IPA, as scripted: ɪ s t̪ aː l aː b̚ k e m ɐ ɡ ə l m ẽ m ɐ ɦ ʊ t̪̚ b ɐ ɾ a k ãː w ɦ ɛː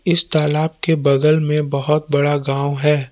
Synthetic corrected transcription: ɪ s t̪ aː l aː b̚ k e b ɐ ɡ ə l m ẽ b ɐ ɦ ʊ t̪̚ b ɐ ɽ a ɡ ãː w ɦ ɛː